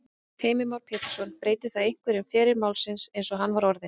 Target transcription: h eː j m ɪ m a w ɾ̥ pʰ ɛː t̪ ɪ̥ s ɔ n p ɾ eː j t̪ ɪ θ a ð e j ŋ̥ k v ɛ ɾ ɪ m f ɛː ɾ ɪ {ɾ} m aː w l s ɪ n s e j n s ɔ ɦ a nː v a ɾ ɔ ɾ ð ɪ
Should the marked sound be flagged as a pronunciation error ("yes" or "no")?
no